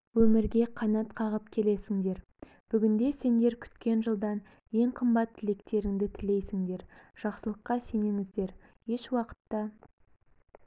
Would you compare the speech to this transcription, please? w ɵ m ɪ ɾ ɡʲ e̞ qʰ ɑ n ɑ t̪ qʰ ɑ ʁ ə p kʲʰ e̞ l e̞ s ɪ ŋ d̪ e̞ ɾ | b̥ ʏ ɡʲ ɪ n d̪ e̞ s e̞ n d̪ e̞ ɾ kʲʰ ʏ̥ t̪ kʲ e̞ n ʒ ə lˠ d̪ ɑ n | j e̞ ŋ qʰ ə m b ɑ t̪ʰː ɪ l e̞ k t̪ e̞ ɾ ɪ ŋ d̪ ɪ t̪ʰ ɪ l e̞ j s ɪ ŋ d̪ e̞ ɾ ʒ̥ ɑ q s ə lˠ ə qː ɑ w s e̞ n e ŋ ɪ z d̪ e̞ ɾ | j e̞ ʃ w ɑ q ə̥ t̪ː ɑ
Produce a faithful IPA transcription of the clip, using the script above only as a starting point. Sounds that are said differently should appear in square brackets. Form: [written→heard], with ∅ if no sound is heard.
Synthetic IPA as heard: w ɵ m ɪ ɾ ɡʲ e̞ qʰ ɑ n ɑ t̪ qʰ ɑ ʁ ə p kʲʰ e̞ l e̞ s ɪ ŋ d̪ e̞ ɾ | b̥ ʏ ɡʲ ɪ n d̪ e̞ s e̞ n d̪ e̞ ɾ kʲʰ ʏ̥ t̪ kʲ e̞ n ʒ ə lˠ d̪ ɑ n | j e̞ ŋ qʰ ə m b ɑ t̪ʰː ɪ l e̞ k t̪ e̞ ɾ ɪ ŋ d̪ ɪ t̪ʰ ɪ l e̞ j s ɪ ŋ d̪ e̞ ɾ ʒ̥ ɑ q s ə lˠ ə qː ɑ [w→∅] s e̞ n e ŋ ɪ z d̪ e̞ ɾ | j e̞ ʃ w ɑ q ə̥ t̪ː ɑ

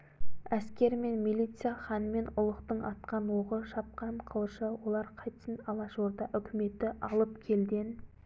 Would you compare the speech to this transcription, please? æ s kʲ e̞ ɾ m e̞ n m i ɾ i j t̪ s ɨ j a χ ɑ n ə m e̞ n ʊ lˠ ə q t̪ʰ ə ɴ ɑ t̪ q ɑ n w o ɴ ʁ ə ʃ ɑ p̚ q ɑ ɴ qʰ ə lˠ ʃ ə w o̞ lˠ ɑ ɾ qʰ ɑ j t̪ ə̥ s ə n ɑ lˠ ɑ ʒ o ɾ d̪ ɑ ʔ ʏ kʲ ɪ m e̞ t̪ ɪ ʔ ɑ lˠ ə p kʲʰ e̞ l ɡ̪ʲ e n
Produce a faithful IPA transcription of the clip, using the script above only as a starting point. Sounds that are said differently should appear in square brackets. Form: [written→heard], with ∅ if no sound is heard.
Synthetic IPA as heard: æ s kʲ e̞ ɾ m e̞ n m i [ɾ→l] i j t̪ s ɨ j a χ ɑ n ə m e̞ n ʊ lˠ ə q [t̪ʰ→t̪] ə ɴ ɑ t̪ q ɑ n w o [ɴ→∅] ʁ ə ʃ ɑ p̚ q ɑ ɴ qʰ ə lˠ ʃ ə w o̞ lˠ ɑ ɾ qʰ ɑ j t̪ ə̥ s ə n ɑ lˠ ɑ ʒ o ɾ d̪ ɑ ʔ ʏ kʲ ɪ m e̞ t̪ ɪ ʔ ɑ lˠ ə p kʲʰ e̞ l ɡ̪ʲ e n

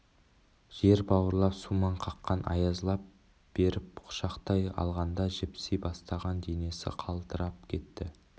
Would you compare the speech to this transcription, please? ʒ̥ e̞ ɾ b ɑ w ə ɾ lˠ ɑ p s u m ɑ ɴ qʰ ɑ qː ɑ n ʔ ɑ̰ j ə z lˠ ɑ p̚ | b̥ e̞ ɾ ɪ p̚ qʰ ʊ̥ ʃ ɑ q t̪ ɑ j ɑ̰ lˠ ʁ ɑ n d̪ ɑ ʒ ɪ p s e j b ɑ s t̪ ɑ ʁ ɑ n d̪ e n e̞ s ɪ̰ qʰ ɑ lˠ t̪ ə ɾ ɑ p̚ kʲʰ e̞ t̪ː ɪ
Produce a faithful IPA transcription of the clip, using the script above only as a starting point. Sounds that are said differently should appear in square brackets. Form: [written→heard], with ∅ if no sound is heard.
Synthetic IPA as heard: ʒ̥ e̞ ɾ b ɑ w ə ɾ lˠ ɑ p s u m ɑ ɴ qʰ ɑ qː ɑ n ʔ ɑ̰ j [ə→ɑ] z lˠ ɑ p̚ | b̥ e̞ ɾ ɪ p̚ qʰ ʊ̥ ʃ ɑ q t̪ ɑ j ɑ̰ lˠ ʁ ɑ n d̪ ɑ ʒ ɪ p s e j b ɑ s t̪ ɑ ʁ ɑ n d̪ e n e̞ s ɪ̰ qʰ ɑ lˠ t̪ ə ɾ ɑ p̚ kʲʰ e̞ t̪ː ɪ

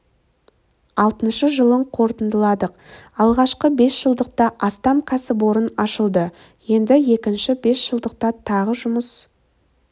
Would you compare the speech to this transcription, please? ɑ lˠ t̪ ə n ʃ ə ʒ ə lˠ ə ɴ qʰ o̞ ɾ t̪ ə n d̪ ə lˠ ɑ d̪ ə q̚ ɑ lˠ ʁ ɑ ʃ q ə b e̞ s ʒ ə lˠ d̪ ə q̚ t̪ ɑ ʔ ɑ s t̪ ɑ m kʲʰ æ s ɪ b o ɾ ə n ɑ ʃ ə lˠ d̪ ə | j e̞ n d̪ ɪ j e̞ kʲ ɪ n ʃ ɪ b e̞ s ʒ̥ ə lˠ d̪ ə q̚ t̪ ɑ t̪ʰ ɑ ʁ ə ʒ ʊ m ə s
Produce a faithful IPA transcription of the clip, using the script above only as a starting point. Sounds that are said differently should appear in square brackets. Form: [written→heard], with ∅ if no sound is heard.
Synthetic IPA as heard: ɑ lˠ t̪ ə n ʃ ə ʒ ə lˠ ə ɴ qʰ o̞ ɾ t̪ ə n d̪ ə lˠ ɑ d̪ ə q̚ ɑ lˠ ʁ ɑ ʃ q ə b e̞ s ʒ ə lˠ d̪ ə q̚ t̪ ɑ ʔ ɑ s t̪ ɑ m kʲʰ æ s ɪ b o ɾ ə n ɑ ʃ ə lˠ d̪ ə | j e̞ n d̪ ɪ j e̞ kʲ ɪ n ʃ ɪ b e̞ s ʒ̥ ə lˠ d̪ ə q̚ t̪ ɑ t̪ʰ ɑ ʁ ə ʒ ʊ m ə s

